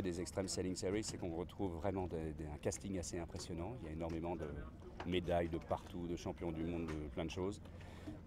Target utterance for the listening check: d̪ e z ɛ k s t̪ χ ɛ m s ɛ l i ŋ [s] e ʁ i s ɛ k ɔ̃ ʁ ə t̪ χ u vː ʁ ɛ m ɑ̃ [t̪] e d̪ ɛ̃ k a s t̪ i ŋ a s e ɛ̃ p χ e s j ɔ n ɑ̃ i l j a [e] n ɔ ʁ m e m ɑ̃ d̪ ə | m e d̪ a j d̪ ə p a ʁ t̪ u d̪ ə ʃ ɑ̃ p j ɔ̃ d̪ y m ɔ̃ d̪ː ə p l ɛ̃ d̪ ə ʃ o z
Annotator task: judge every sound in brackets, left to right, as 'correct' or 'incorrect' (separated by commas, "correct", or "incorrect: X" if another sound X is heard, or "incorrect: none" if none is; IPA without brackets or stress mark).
correct, incorrect: d̪, correct